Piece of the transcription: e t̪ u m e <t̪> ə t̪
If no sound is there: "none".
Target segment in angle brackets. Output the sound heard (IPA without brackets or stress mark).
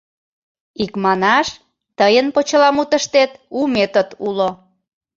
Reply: t̪